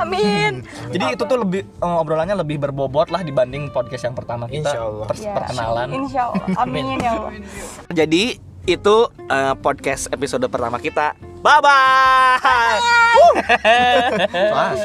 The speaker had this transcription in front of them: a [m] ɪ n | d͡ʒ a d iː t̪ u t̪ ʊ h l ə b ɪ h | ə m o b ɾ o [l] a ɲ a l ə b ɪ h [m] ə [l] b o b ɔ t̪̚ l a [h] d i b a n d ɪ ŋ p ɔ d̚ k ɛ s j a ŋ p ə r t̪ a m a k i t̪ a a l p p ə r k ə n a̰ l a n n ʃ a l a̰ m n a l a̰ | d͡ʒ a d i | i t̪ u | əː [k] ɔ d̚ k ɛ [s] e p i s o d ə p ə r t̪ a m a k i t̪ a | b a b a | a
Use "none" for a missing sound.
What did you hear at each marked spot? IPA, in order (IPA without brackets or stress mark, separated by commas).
m, l, b, r, h, p, s